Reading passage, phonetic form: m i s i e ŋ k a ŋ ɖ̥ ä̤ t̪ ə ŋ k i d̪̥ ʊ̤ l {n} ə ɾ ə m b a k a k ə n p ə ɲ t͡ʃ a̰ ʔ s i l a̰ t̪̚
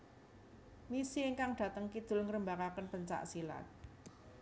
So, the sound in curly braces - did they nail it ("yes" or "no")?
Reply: no